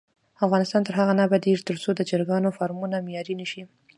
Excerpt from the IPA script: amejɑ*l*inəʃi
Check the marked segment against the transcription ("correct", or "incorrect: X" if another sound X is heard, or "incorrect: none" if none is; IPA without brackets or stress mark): incorrect: ɾ